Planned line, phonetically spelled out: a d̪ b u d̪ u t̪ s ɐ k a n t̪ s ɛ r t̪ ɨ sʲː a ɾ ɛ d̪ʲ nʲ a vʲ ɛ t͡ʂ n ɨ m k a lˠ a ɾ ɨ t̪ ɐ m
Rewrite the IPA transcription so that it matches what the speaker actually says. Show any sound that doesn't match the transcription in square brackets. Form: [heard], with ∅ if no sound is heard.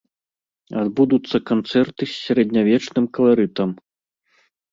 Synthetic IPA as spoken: a d̪ b u d̪ u t̪ [sː] ɐ k a n t̪ s ɛ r t̪ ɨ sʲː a ɾ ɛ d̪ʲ nʲ a vʲ ɛ t͡ʂ n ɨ m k [ɐ] lˠ a ɾ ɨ t̪ ɐ m

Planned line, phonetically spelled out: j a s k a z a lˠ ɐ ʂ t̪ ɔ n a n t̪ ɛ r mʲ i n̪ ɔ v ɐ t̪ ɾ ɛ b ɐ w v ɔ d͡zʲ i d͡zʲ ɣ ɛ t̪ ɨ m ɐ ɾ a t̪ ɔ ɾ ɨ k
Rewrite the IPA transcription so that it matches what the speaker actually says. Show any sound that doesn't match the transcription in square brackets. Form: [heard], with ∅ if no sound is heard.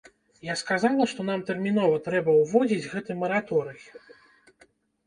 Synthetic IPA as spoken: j a s k a z a lˠ ɐ ʂ t̪ ɔ n a [m] t̪ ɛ r mʲ i n̪ ɔ v ɐ t̪ ɾ ɛ b ɐ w v ɔ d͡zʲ i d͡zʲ ɣ ɛ t̪ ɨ m ɐ ɾ a t̪ ɔ ɾ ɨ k

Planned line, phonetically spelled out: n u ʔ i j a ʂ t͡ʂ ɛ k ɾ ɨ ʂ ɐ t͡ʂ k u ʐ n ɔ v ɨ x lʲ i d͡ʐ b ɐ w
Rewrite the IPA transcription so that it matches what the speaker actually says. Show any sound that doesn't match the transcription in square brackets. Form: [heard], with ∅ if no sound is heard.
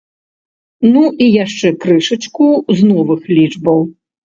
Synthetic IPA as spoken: n u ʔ i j a ʂ t͡ʂ ɛ k ɾ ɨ ʂ ɐ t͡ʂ k u [z] n ɔ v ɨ x lʲ i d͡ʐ b ɐ w

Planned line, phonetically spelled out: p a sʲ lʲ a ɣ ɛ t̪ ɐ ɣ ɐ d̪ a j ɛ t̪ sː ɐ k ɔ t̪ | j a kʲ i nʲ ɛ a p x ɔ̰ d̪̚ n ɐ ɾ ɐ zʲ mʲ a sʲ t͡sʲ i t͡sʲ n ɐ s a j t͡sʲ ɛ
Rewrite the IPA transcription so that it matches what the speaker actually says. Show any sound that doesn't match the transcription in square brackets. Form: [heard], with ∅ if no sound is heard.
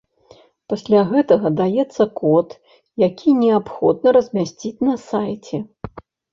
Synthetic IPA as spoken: p a sʲ lʲ a ɣ ɛ t̪ ɐ ɣ ɐ d̪ a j ɛ t̪ sː ɐ k ɔ t̪ | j a kʲ i nʲ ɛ a p x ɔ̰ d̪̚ n ɐ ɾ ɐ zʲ mʲ a sʲ t͡sʲ i t͡sʲ n ɐ s a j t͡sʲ ɛ

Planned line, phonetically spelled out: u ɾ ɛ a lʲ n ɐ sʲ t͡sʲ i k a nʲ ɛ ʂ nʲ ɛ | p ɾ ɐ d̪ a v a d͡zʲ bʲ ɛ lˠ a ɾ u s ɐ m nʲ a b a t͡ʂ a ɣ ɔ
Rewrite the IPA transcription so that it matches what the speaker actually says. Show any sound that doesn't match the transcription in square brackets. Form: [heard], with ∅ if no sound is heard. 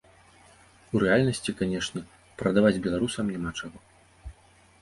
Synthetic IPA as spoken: u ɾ ɛ a lʲ n ɐ sʲ t͡sʲ i k a nʲ ɛ ʂ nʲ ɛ | p ɾ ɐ d̪ a v a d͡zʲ bʲ ɛ lˠ a ɾ u s ɐ m nʲ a [m] a t͡ʂ a ɣ ɔ

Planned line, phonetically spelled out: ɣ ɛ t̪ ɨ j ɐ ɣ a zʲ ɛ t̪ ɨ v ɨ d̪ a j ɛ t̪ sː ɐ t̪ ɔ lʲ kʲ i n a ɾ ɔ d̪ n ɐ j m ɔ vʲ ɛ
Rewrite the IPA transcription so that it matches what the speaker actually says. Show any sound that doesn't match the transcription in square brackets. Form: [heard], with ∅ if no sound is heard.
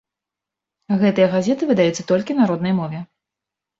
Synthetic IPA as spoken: ɣ ɛ t̪ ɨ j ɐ ɣ a zʲ ɛ t̪ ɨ v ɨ d̪ a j ɛ t̪ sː ɐ t̪ ɔ lʲ kʲ i n a ɾ ɔ d̪ n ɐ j m ɔ vʲ ɛ

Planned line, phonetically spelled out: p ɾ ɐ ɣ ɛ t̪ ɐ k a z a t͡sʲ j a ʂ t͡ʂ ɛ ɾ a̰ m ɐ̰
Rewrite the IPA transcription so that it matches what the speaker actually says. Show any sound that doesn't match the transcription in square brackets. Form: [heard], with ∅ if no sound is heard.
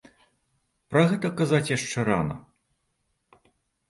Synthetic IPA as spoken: p ɾ ɐ ɣ ɛ t̪ ɐ k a z a t͡sʲ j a ʂ t͡ʂ ɛ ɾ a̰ [n] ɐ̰

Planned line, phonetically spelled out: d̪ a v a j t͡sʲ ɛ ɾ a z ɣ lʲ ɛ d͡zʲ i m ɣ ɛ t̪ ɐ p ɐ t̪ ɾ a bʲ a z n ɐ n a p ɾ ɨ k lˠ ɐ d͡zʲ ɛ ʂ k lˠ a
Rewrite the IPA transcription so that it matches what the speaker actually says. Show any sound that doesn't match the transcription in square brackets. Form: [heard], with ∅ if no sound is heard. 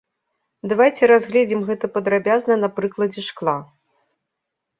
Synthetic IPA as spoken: d̪ a v a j t͡sʲ ɛ ɾ a z ɣ lʲ ɛ d͡zʲ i m ɣ ɛ t̪ ɐ p ɐ [d̪] ɾ a bʲ a z n ɐ n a p ɾ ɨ k lˠ ɐ d͡zʲ ɛ ʂ k lˠ a

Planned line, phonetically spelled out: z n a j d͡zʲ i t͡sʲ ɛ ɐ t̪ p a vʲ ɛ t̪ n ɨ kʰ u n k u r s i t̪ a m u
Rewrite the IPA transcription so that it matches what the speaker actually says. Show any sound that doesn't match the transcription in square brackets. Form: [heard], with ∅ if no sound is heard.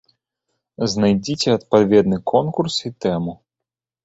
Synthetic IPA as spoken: z n a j d͡zʲ i t͡sʲ ɛ ɐ t̪ p a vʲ ɛ [d̪] n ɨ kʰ [ɔ] n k u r s i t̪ [ɛ] m u

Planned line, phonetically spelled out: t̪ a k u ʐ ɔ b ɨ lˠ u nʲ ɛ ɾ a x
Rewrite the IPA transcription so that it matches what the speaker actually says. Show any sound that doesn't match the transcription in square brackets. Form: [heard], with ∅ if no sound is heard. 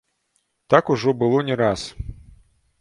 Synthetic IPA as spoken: t̪ a k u ʐ ɔ b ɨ lˠ [ɔ] nʲ ɛ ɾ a [s]

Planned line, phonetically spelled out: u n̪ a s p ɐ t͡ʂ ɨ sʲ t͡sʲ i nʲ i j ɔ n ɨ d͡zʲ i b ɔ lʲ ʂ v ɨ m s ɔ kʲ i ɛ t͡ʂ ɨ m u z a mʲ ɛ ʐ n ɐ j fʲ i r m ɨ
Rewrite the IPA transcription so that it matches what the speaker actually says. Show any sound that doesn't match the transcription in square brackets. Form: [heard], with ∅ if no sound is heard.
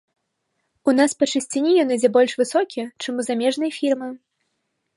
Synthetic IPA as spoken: u n̪ a s p ɐ t͡ʂ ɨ sʲ t͡sʲ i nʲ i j ɔ n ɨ d͡zʲ [ɛ] b ɔ lʲ ʂ v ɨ [∅] s ɔ kʲ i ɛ t͡ʂ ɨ m u z a mʲ ɛ ʐ n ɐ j fʲ i r m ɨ

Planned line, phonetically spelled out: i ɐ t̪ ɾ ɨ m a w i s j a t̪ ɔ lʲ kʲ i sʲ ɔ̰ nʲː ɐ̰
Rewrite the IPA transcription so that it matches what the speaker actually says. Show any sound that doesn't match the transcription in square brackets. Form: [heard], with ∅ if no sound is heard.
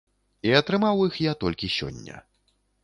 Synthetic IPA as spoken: i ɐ t̪ ɾ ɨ m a w i [x] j a t̪ ɔ lʲ kʲ i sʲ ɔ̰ nʲː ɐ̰

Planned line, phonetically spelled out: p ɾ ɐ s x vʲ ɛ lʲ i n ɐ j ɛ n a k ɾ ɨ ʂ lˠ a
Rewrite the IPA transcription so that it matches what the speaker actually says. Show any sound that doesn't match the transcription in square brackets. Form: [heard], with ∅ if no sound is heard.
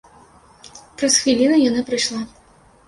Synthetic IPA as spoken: p ɾ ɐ s x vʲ [i] lʲ i n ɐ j [a] n a [p] ɾ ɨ ʂ lˠ a

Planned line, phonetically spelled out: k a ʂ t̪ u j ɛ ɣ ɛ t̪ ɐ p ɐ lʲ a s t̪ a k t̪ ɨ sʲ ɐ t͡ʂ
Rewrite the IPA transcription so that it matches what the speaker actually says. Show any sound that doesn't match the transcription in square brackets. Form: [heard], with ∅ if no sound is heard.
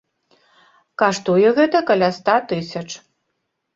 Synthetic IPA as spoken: k a ʂ t̪ u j ɛ ɣ ɛ t̪ ɐ [k] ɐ lʲ a s t̪ a [∅] t̪ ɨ sʲ ɐ t͡ʂ

